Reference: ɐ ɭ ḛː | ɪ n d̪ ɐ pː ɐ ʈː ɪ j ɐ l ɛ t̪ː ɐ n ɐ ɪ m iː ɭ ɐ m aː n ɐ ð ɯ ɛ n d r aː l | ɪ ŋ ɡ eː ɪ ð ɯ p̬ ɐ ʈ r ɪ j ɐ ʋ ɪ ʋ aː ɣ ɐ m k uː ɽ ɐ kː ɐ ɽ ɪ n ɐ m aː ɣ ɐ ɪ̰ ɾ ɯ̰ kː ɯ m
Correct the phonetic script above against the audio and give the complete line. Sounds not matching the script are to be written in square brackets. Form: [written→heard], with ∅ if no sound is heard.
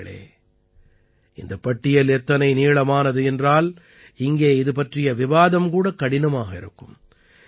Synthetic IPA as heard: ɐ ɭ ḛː | ɪ n d̪ ɐ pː ɐ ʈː ɪ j ɐ l ɛ t̪ː ɐ n ɐ ɪ [m→n] iː ɭ ɐ m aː n ɐ ð ɯ ɛ n d r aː l | ɪ ŋ ɡ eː ɪ ð ɯ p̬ ɐ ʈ r ɪ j ɐ ʋ ɪ ʋ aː [ɣ→ð] ɐ m k uː ɽ ɐ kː ɐ ɽ ɪ n ɐ m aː ɣ ɐ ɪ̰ ɾ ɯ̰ kː ɯ m